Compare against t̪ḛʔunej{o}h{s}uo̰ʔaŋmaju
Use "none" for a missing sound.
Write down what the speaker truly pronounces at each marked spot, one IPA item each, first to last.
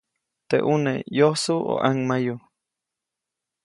o, s

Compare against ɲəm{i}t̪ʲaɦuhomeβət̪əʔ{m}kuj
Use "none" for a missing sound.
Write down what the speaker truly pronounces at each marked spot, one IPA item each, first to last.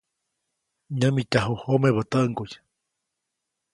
i, ŋ

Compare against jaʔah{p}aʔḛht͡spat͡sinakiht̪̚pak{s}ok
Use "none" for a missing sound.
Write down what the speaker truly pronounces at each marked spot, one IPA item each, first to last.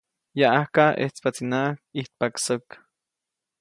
k, s

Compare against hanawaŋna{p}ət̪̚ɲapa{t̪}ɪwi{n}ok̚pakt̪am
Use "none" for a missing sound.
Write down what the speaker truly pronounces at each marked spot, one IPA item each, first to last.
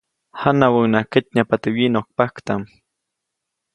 k, t̪, n

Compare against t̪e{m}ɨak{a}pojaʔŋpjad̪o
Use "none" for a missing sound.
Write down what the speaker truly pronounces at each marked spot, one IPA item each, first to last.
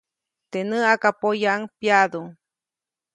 n, a

